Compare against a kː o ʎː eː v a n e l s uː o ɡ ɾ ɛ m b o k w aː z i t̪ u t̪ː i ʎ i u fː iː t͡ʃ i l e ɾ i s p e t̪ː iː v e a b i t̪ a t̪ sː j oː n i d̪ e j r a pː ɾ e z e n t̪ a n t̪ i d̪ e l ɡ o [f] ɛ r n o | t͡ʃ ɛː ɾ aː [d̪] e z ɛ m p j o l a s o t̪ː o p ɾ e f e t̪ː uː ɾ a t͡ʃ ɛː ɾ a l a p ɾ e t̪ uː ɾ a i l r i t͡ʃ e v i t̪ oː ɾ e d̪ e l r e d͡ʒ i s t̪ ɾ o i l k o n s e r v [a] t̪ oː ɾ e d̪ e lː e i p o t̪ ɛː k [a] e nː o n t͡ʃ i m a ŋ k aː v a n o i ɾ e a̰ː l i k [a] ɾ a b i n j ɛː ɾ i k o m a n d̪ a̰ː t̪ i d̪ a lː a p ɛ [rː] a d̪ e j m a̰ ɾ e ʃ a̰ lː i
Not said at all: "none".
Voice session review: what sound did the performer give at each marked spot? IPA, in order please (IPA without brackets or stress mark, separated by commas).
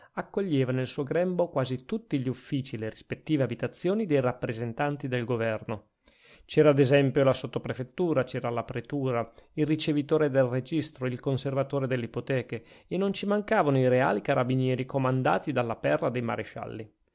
v, d̪, a, e, a, rː